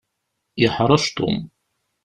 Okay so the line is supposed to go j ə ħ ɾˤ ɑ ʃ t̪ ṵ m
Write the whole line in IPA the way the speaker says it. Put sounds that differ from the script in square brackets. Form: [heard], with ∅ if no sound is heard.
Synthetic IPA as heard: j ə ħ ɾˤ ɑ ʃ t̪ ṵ m